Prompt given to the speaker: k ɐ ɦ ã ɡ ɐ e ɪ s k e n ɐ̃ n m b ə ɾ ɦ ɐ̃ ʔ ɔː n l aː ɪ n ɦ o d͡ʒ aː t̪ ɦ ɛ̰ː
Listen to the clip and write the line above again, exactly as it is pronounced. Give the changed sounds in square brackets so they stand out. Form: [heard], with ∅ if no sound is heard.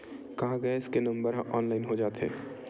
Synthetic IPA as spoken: k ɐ ɦ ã ɡ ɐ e ɪ s k e n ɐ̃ [∅] m b ə ɾ ɦ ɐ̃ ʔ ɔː n l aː ɪ n ɦ o d͡ʒ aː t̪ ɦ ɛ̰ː